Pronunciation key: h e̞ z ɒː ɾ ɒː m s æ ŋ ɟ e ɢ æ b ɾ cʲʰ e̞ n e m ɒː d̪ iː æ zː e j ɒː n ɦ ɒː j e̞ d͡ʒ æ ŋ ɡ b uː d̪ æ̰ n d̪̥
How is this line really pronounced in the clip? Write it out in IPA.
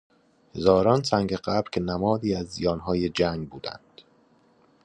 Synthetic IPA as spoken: h e̞ z ɒː ɾ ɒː n s æ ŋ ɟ e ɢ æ b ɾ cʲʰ e̞ n æ m ɒː d̪ iː æ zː i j ɒː n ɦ ɒː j e̞ d͡ʒ æ ŋ ɡ b uː d̪ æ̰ n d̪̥